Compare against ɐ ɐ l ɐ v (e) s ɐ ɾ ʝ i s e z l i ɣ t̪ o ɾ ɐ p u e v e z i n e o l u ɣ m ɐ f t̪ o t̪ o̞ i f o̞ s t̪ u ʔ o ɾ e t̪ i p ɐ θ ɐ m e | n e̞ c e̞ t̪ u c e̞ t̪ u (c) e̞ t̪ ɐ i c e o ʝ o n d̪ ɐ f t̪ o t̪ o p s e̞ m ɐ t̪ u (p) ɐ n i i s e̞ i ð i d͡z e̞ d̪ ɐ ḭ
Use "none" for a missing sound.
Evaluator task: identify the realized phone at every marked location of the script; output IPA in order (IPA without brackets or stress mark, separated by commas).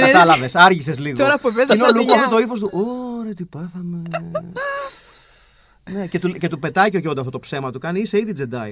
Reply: e, p, k